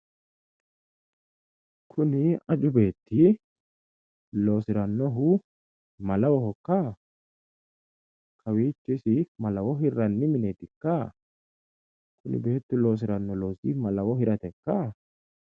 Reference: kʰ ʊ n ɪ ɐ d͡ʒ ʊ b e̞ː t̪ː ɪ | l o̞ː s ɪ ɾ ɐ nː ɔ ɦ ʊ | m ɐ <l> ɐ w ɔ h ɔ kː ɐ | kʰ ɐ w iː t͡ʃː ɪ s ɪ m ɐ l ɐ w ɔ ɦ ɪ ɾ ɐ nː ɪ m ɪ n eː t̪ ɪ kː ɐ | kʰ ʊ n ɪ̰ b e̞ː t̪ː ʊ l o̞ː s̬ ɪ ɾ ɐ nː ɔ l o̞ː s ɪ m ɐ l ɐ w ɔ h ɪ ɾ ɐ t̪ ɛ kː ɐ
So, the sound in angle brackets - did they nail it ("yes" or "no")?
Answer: yes